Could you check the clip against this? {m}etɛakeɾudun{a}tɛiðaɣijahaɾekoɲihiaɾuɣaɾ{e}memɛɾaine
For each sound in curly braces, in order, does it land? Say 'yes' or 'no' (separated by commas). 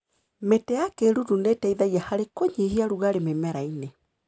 yes, no, yes